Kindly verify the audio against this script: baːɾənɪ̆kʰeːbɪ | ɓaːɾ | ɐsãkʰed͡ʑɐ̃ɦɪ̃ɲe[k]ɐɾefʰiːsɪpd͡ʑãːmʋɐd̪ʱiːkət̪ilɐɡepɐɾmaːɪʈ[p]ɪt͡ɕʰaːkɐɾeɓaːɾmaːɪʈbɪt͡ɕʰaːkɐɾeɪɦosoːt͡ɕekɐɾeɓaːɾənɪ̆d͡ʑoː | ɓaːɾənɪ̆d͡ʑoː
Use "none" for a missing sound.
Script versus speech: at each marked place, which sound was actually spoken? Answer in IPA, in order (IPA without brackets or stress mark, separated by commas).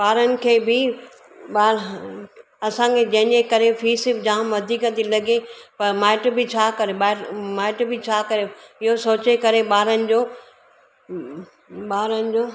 k, b